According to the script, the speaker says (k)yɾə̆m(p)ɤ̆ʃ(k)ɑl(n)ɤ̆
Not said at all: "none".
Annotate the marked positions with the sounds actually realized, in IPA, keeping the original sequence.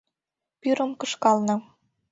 p, k, k, n

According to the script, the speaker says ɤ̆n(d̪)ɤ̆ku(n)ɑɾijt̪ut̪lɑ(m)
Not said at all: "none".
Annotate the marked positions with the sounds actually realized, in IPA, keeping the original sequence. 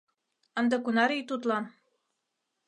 d̪, n, n

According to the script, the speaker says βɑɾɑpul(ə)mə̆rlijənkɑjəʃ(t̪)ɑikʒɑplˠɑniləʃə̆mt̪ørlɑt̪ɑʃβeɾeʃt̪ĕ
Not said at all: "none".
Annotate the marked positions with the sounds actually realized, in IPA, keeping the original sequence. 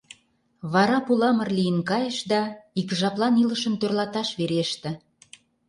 ɑ, d̪

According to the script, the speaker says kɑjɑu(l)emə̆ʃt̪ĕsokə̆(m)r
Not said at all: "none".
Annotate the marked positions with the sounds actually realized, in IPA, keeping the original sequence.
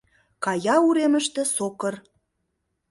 ɾ, none

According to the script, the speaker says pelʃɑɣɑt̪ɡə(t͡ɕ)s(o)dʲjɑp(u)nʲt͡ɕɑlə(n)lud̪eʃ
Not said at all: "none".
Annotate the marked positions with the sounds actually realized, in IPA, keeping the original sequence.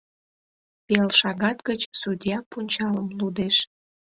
t͡ɕ, u, u, m

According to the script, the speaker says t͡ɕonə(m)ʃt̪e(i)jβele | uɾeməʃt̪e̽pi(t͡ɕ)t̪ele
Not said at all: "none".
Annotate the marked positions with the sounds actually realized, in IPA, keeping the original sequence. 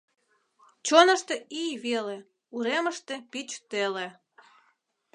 none, i, t͡ɕ

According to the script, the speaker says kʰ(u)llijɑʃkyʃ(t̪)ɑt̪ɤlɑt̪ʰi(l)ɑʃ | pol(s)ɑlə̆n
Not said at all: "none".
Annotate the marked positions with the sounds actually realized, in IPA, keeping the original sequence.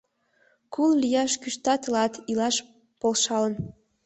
u, t̪, l, ʃ

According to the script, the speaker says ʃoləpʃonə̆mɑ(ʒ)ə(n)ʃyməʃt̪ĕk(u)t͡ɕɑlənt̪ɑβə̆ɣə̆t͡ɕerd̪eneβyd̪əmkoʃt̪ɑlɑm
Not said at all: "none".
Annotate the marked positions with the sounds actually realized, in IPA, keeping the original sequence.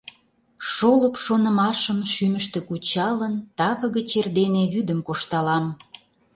ʃ, m, u

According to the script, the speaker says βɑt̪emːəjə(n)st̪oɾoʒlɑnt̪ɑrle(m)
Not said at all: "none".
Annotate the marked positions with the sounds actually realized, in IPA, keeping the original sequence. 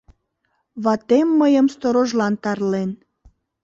m, n

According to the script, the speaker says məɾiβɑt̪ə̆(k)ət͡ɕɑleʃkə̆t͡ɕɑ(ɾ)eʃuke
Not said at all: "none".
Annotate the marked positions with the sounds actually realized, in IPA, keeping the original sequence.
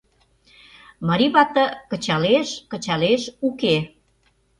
k, l

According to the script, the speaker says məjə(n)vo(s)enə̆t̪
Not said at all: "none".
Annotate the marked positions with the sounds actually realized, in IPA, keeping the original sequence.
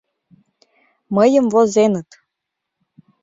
m, z

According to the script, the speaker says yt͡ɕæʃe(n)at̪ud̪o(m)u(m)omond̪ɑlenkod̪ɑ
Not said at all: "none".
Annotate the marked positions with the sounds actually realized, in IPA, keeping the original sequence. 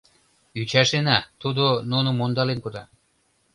n, n, n

